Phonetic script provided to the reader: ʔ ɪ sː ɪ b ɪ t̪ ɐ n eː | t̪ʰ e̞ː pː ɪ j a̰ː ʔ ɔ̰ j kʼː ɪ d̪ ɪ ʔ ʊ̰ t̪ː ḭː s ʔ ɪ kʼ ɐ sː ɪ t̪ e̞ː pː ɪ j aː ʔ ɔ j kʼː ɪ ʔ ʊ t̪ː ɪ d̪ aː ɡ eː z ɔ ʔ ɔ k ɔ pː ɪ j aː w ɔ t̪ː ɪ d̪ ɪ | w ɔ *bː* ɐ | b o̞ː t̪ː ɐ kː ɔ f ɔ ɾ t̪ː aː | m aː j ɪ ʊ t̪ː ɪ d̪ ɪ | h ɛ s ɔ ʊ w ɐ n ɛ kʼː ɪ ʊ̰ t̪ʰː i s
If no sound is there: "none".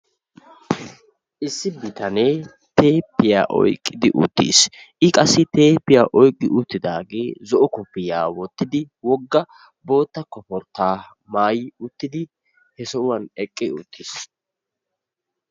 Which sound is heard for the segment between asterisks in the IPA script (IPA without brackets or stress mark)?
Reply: ɡː